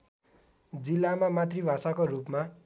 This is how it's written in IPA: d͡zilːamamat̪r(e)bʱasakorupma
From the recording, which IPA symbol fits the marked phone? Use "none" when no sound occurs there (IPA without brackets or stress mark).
i